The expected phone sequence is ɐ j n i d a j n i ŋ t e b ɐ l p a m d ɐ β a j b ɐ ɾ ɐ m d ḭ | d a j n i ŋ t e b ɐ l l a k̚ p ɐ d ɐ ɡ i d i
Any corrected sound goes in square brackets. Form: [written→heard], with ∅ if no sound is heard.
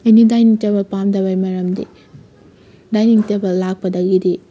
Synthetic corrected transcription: ɐ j n i d a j n i ŋ t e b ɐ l p a m d ɐ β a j [b→m] ɐ ɾ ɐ m d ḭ | d a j n i ŋ t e b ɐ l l a k̚ p ɐ d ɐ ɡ i d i